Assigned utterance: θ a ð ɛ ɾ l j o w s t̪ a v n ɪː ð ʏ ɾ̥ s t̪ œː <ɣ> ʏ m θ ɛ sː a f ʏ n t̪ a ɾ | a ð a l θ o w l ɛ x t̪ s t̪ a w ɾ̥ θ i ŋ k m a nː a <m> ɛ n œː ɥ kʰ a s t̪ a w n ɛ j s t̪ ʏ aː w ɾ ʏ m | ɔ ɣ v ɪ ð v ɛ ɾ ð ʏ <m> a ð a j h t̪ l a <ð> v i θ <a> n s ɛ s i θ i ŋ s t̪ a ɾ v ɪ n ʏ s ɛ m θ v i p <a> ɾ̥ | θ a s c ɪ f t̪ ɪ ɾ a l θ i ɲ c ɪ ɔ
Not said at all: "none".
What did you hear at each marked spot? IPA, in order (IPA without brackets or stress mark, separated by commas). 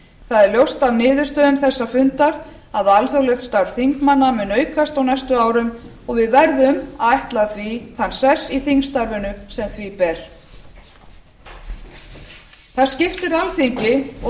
ð, m, m, θ, a, ɛ